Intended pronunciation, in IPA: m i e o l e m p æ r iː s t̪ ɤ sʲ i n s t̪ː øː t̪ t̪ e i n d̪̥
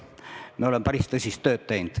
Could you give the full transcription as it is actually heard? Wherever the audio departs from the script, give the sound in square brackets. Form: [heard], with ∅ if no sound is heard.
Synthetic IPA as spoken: m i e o l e m p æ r [i] s t̪ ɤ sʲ i [∅] s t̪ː øː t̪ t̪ e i n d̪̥